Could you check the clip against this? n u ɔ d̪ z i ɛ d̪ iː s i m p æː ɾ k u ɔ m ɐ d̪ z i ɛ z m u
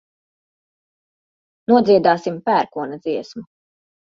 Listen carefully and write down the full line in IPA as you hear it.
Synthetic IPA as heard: n u ɔ d̪ z i ɛ d̪ aː s i m p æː ɾ k u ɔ n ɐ d̪ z i ɛ s m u